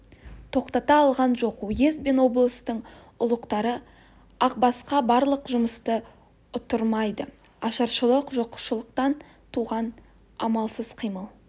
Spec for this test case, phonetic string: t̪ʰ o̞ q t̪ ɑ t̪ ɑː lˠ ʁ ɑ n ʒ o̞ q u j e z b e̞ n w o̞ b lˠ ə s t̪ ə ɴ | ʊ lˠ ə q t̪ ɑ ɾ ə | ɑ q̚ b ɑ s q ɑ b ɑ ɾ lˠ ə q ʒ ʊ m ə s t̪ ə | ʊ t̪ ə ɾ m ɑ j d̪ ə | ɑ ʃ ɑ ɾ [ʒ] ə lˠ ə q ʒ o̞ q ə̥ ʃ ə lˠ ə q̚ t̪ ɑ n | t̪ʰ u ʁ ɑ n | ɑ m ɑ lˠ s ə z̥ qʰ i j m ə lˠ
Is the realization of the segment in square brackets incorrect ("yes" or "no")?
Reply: yes